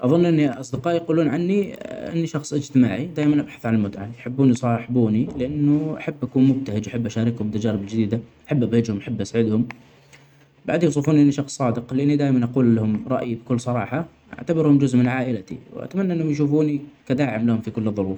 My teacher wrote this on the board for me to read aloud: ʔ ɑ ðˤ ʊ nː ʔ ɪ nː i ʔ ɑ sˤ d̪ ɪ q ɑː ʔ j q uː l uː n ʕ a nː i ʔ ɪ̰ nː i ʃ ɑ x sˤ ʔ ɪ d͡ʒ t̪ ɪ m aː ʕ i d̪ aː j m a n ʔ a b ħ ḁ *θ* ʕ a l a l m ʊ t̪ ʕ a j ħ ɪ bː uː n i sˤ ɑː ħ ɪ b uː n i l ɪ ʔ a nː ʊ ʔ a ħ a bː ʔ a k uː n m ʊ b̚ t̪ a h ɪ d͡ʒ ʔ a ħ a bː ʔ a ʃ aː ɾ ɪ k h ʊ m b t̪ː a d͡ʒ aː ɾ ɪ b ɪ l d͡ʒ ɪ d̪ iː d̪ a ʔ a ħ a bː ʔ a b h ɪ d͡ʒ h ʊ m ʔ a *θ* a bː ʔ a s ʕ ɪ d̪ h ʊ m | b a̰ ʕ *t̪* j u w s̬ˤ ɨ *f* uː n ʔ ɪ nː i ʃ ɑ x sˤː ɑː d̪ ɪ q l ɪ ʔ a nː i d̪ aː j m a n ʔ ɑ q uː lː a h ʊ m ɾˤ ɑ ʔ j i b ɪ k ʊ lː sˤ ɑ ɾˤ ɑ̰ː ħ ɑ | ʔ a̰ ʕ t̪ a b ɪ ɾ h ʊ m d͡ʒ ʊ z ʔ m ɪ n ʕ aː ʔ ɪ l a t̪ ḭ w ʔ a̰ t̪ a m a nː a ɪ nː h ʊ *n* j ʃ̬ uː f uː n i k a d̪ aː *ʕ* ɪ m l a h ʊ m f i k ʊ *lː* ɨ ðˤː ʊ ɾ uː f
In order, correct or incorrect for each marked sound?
correct, incorrect, incorrect, correct, incorrect, correct, correct

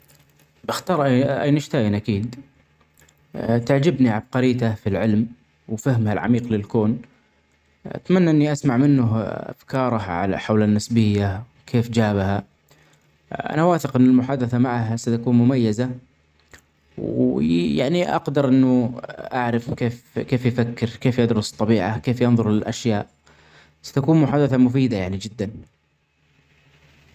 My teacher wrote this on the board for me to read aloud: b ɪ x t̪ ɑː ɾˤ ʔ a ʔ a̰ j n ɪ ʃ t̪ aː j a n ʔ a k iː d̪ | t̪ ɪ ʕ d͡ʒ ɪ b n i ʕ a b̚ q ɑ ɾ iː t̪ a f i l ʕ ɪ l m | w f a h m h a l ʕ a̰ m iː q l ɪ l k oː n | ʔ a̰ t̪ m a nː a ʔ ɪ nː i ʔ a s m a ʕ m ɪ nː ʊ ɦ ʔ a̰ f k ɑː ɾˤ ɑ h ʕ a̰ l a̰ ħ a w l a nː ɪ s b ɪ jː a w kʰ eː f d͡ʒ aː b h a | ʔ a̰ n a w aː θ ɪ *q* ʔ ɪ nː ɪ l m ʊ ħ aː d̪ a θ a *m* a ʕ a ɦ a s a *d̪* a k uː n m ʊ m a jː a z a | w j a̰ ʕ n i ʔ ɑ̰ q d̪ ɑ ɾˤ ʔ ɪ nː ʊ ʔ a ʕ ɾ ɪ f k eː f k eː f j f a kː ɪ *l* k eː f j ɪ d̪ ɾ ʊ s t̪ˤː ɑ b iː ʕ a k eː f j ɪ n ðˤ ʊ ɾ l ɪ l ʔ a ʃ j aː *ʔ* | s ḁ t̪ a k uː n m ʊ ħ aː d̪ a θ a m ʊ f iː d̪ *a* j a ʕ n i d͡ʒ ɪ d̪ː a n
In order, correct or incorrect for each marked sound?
correct, correct, incorrect, incorrect, correct, correct

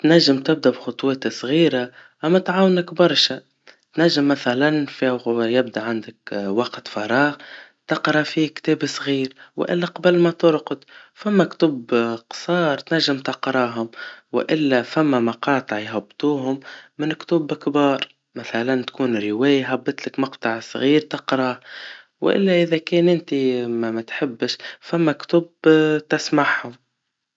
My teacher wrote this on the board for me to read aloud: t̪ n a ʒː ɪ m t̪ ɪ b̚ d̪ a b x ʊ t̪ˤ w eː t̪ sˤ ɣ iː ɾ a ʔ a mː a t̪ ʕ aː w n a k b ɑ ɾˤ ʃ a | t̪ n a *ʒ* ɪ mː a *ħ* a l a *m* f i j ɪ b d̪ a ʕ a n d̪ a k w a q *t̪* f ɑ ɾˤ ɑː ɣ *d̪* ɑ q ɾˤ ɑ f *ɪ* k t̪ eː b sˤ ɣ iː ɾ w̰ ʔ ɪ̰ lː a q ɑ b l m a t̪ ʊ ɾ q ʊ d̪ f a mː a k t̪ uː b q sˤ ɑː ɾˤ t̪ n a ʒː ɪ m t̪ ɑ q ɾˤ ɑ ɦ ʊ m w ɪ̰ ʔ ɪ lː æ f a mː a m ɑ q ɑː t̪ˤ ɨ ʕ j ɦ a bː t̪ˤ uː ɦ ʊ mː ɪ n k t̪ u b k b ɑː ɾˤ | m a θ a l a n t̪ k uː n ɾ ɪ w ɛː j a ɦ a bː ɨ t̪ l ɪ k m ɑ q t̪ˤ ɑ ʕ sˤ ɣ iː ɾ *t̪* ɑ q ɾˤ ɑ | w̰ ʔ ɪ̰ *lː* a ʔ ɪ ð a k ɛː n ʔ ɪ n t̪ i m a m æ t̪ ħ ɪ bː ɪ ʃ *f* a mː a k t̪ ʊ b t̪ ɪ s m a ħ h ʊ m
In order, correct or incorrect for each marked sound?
incorrect, incorrect, incorrect, correct, incorrect, incorrect, correct, correct, correct

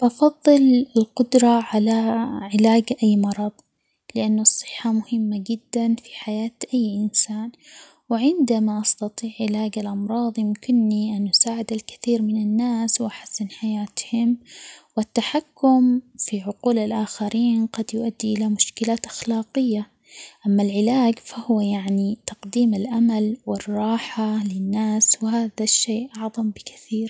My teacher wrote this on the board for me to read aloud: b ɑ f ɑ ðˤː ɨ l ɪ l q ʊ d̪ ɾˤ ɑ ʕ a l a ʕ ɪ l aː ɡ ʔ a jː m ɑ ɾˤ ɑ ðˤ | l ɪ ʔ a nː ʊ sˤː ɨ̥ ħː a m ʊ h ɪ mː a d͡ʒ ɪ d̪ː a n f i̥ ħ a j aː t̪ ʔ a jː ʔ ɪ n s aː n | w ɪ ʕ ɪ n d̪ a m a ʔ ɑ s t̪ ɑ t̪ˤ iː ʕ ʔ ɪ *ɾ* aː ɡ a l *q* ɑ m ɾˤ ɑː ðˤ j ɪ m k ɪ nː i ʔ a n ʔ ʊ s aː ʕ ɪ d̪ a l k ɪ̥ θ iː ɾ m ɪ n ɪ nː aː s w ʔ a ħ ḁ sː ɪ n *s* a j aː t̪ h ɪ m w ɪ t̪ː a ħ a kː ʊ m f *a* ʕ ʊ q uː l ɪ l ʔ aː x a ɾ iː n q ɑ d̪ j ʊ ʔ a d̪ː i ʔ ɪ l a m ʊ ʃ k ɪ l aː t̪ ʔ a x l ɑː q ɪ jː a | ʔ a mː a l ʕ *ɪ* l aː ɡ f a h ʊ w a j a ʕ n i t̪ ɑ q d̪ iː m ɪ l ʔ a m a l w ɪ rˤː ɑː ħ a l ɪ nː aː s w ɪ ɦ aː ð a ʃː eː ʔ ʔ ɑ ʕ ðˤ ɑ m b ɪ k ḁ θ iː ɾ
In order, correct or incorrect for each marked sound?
incorrect, incorrect, incorrect, incorrect, correct

